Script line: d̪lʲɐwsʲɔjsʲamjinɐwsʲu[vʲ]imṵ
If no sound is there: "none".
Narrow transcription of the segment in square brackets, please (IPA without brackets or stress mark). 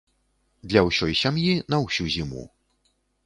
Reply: zʲ